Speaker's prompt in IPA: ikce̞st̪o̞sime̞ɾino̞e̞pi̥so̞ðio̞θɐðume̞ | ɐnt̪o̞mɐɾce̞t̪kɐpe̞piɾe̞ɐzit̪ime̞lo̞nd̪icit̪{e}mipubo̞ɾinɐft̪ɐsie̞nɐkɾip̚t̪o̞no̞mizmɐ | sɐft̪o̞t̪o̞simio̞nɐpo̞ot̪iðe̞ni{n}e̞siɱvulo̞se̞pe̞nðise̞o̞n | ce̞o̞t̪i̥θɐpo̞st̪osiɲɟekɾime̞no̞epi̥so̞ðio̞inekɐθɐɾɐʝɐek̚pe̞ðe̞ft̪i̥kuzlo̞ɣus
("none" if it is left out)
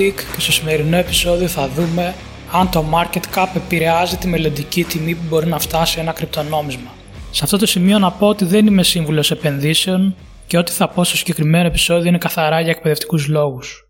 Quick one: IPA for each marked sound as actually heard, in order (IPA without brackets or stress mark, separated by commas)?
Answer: i, m